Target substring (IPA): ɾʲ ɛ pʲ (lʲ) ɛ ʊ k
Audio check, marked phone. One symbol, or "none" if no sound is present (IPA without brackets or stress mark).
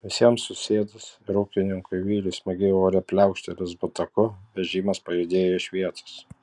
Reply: lʲ